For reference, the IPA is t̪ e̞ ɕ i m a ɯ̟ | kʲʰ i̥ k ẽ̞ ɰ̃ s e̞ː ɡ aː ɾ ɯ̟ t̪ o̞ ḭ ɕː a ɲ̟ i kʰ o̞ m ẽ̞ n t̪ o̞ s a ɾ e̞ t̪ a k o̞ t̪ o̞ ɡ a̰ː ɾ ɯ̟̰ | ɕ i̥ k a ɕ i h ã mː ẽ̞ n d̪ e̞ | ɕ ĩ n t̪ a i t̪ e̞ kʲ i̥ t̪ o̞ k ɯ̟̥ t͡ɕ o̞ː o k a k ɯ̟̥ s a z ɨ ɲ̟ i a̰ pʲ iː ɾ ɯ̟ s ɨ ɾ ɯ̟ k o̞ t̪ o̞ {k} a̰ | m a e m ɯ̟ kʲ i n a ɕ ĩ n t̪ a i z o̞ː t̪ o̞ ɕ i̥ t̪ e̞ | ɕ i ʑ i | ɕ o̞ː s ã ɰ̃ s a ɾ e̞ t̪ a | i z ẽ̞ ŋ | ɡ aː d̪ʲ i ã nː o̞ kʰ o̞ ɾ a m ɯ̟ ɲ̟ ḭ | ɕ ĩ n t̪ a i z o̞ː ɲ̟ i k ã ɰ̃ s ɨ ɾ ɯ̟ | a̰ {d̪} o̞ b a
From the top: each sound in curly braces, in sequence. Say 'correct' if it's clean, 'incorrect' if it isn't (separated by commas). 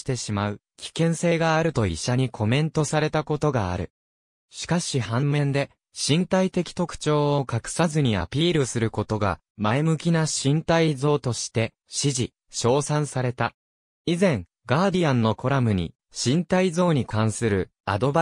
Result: incorrect, correct